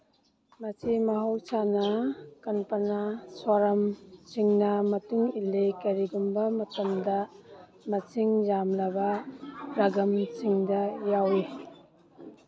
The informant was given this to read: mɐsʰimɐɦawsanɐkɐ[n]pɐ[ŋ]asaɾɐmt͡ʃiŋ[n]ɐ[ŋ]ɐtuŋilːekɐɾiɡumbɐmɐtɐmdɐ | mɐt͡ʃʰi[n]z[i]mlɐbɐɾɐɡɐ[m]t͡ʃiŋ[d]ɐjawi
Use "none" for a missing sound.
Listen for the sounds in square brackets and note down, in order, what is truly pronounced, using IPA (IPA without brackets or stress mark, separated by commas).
n, n, n, m, ŋ, a, m, d